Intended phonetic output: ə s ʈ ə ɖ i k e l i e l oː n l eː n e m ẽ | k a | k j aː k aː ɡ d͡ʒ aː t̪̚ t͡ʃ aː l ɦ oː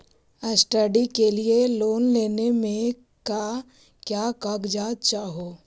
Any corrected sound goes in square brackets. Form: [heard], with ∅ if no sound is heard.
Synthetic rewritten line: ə s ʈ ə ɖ i k e l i e l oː n l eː n e m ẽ | k a | k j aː k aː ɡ d͡ʒ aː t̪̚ t͡ʃ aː [∅] ɦ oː